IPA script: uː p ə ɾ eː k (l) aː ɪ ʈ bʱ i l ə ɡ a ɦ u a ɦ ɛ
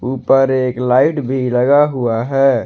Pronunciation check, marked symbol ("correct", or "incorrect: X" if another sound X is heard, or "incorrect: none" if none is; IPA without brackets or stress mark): correct